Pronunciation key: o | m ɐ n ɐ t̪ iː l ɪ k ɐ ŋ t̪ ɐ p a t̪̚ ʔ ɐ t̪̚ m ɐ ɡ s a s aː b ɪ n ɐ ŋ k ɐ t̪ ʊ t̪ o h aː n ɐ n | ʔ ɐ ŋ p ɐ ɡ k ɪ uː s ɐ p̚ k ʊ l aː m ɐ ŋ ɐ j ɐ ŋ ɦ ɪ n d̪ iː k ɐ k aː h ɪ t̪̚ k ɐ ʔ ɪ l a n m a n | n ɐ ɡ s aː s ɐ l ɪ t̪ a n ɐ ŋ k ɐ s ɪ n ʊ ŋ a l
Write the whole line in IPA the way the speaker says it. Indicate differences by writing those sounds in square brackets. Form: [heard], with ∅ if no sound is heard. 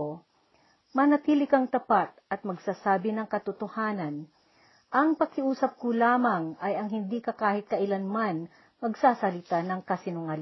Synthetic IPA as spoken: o | m ɐ n ɐ t̪ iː l ɪ k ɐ ŋ t̪ ɐ p a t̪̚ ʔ ɐ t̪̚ m ɐ ɡ s a s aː b ɪ n ɐ ŋ k ɐ t̪ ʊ t̪ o h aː n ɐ n | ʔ ɐ ŋ p ɐ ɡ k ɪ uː s ɐ p̚ k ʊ l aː m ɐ ŋ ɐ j ɐ ŋ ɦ ɪ n d̪ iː k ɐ k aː h ɪ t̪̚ k ɐ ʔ ɪ l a n m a n | [m] ɐ ɡ s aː s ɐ l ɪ t̪ a n ɐ ŋ k ɐ s ɪ n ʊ ŋ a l